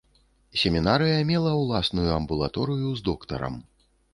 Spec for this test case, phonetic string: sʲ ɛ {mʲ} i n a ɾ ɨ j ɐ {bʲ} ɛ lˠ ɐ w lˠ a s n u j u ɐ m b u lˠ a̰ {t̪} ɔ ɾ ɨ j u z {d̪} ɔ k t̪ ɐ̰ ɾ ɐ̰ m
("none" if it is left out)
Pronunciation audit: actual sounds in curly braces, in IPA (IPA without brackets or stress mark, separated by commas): mʲ, mʲ, t̪, d̪